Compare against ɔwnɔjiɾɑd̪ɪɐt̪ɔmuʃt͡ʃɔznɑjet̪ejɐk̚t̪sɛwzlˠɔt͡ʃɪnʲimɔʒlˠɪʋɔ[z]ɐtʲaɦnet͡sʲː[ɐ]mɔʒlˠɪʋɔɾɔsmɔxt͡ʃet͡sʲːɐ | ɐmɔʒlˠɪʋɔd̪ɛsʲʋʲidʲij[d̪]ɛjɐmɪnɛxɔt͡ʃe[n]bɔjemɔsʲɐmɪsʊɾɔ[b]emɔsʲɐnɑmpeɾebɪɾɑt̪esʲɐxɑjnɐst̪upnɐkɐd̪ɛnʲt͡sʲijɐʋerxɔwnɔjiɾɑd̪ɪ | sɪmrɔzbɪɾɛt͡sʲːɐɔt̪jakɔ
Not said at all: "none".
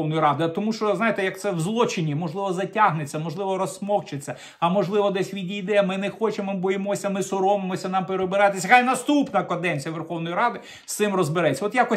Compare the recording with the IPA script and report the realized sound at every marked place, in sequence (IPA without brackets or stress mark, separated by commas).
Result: z, ɐ, d̪, m, m